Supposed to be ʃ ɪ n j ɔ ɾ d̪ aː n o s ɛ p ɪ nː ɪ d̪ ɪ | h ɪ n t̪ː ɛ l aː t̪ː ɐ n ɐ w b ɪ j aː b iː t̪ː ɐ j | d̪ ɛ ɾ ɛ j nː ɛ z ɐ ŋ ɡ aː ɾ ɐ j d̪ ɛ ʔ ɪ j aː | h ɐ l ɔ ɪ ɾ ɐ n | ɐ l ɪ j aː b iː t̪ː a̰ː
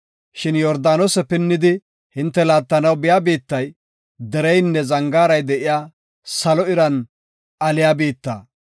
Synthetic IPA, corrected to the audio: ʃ ɪ n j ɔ ɾ d̪ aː n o s ɛ p ɪ nː ɪ d̪ ɪ | h ɪ n t̪ː ɛ l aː t̪ː ɐ n ɐ w b ɪ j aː b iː t̪ː ɐ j | d̪ ɛ ɾ ɛ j nː ɛ z ɐ ŋ ɡ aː ɾ ɐ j d̪ ɛ ʔ ɪ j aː | s ɐ l ɔ ɪ ɾ ɐ n | ɐ l ɪ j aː b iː t̪ː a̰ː